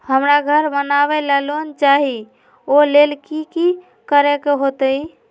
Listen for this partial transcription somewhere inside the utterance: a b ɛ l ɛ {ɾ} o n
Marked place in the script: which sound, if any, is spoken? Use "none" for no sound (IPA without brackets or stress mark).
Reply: l